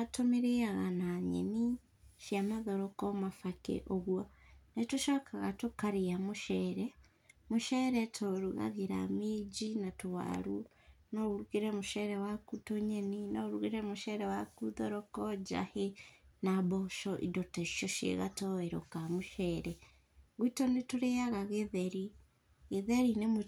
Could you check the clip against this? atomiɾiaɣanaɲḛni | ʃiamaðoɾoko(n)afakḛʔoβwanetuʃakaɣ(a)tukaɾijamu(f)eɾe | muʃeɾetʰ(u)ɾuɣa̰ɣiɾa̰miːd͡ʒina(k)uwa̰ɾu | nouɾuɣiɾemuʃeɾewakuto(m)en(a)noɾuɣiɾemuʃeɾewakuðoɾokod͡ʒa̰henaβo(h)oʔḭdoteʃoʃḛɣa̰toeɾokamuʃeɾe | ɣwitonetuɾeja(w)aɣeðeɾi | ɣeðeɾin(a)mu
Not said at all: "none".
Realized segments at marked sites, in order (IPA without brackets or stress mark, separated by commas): m, a, ʃ, o, t, ɲ, i, ʃ, ɣ, e